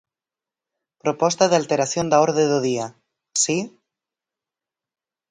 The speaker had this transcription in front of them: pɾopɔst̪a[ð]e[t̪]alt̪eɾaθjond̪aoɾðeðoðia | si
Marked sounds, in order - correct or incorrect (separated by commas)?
correct, incorrect